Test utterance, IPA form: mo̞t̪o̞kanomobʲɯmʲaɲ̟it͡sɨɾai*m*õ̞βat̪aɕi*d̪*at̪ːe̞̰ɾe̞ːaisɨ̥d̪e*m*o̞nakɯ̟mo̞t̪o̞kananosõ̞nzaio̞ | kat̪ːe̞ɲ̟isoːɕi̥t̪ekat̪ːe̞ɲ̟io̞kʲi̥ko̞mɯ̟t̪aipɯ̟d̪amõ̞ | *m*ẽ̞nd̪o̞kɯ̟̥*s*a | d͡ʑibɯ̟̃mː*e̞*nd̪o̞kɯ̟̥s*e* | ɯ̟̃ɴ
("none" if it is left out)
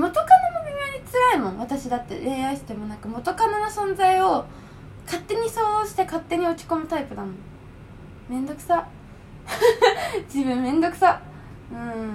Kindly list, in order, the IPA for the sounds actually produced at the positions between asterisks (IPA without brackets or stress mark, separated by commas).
m, d̪, m, m, s, ẽ̞, a